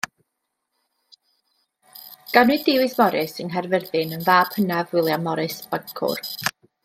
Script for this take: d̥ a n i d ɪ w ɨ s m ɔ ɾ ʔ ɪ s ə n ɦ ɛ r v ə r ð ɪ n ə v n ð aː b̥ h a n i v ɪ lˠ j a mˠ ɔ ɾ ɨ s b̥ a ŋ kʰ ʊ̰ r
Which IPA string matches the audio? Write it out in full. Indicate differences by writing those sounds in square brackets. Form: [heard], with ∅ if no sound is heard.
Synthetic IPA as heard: [ɡ̥] a n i d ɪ w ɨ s m ɔ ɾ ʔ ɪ s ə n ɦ ɛ r v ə r ð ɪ n ə [∅] n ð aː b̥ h [ə] n [a] v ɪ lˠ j a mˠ ɔ ɾ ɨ s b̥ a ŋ kʰ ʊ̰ r